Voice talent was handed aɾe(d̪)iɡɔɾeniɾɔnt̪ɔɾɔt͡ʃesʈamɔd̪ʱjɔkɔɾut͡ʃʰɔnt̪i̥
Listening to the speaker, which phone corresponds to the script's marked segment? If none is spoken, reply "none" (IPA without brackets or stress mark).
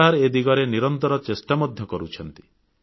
d̪